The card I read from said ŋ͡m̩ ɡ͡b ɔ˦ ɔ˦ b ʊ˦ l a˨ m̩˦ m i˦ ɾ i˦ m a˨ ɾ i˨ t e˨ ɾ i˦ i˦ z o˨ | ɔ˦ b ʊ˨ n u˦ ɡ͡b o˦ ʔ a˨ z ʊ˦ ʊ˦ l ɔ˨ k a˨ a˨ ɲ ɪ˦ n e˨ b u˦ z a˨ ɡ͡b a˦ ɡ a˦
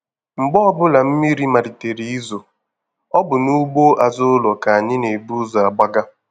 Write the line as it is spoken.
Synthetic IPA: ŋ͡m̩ ɡ͡b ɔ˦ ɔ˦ b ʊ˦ l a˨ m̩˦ m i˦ ɾ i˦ m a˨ ɾ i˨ t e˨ ɾ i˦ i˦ z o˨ | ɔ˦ b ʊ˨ n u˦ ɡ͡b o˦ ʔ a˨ z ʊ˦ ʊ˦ l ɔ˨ k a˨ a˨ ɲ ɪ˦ n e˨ b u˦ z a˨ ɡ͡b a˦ ɡ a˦